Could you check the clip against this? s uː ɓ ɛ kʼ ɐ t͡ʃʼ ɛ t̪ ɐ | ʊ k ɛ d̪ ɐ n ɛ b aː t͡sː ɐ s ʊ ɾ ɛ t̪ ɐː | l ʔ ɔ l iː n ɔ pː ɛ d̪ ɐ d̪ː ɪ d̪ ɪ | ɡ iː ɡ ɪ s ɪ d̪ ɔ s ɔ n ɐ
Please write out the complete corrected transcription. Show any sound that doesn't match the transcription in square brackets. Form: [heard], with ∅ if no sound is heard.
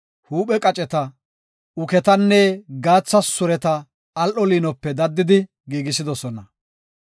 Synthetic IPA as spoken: [h] uː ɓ ɛ kʼ ɐ t͡ʃʼ ɛ t̪ ɐ | ʊ k ɛ [t̪] ɐ [nː] ɛ [ɡ] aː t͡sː ɐ s ʊ ɾ ɛ t̪ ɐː | l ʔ ɔ l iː n ɔ pː ɛ d̪ ɐ d̪ː ɪ d̪ ɪ | ɡ iː ɡ ɪ s ɪ d̪ ɔ s ɔ n ɐ